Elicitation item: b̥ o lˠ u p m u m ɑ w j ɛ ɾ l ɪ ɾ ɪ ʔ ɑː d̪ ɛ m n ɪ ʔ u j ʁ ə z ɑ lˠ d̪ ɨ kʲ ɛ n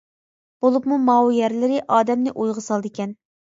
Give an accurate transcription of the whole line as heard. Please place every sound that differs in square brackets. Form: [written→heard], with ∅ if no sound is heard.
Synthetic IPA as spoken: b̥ o lˠ u p m u m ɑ w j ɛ ɾ l ɪ ɾ ɪ ʔ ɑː d̪ ɛ m n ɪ ʔ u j ʁ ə [z→s] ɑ lˠ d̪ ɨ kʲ ɛ n